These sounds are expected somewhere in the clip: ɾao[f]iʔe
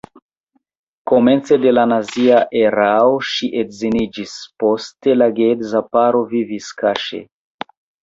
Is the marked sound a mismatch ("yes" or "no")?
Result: yes